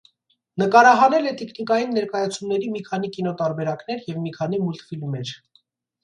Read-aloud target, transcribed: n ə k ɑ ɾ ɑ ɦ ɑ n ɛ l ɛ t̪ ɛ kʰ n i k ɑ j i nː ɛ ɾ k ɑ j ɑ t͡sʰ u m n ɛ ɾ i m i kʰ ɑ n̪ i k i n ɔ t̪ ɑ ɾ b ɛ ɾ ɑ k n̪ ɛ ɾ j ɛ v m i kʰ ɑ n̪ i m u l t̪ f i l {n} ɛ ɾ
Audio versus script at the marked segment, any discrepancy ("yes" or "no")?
yes